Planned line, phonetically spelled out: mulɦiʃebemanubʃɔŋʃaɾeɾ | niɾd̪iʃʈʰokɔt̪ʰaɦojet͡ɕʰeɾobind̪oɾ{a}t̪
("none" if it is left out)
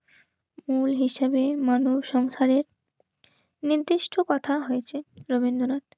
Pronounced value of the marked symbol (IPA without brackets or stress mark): a